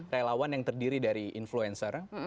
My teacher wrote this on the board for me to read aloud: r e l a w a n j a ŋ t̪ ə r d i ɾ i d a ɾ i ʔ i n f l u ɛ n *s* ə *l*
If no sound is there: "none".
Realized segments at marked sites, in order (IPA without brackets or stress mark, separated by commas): s, r